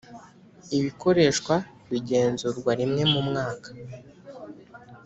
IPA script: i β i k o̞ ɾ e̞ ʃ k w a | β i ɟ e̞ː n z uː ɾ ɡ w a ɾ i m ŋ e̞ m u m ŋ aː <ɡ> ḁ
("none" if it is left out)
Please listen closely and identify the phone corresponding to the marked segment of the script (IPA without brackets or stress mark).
k